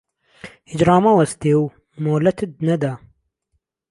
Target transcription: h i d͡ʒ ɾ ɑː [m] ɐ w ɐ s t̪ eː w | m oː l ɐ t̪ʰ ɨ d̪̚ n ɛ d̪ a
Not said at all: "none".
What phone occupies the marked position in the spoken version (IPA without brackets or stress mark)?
m